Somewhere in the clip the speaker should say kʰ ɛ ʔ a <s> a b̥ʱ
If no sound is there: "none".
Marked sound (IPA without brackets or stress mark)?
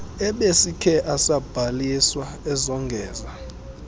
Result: s